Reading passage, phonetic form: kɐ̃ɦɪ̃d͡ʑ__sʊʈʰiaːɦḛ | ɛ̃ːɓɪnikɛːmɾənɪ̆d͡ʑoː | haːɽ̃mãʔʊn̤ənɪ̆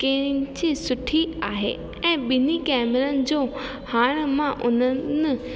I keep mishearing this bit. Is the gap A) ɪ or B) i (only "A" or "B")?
B